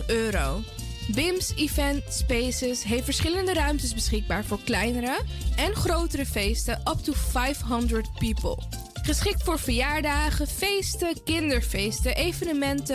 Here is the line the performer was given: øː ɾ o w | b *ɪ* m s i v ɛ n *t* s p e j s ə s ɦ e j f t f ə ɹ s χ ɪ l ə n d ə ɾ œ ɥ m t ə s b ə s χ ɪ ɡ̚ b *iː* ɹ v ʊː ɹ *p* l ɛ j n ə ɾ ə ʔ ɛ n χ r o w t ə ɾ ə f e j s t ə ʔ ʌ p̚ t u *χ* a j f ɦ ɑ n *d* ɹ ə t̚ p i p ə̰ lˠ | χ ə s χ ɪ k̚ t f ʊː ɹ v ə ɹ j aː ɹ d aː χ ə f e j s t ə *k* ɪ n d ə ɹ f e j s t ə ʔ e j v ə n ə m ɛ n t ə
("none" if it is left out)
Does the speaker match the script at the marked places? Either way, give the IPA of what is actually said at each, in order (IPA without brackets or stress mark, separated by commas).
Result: ɪ, t, aː, k, f, d, k